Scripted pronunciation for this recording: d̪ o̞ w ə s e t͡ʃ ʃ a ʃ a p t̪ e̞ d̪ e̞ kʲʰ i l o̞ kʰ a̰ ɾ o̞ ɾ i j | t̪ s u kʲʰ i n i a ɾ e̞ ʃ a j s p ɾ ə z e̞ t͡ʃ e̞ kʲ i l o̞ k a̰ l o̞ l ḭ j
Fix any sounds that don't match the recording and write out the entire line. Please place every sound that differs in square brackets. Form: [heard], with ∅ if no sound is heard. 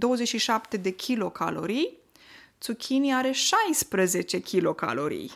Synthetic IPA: d̪ o̞ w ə [z] e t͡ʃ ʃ [i] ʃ a p t̪ e̞ d̪ e̞ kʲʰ i l o̞ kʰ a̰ [l] o̞ ɾ i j | t̪ s u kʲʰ i n i a ɾ e̞ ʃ a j s p ɾ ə z e̞ t͡ʃ e̞ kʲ i l o̞ k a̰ l o̞ [ɾ] ḭ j